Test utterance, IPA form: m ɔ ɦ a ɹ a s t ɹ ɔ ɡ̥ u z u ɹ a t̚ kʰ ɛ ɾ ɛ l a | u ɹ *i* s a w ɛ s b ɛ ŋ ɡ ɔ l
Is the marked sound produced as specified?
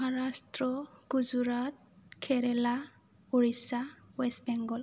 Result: yes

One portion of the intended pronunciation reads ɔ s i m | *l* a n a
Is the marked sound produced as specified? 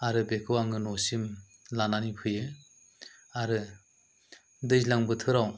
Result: yes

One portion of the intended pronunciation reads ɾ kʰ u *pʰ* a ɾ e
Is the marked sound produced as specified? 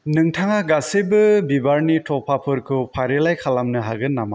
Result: yes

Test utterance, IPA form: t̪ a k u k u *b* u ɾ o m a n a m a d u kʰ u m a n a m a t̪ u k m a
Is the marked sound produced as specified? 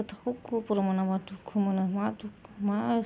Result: no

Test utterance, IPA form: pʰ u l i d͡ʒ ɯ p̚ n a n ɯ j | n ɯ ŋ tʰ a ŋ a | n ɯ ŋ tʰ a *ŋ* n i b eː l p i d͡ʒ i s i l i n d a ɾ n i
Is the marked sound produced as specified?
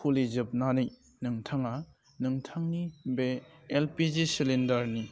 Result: yes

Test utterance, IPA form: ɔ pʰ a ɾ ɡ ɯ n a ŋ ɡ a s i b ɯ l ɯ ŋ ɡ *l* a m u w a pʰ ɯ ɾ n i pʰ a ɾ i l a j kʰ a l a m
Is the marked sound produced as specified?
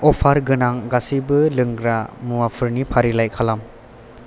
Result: no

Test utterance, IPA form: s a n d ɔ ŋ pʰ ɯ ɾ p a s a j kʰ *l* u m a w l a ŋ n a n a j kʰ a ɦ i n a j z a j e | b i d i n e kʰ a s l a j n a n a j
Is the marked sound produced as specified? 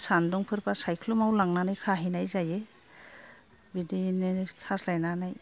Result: yes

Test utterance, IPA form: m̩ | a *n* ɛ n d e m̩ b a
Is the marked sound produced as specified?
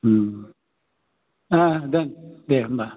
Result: no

